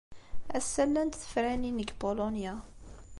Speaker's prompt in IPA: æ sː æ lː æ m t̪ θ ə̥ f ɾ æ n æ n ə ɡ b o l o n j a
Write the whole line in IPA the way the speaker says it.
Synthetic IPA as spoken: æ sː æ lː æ n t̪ θ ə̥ f ɾ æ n i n ə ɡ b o l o n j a